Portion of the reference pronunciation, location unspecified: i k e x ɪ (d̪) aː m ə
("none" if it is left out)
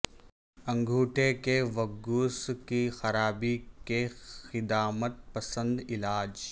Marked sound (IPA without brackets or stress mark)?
d̪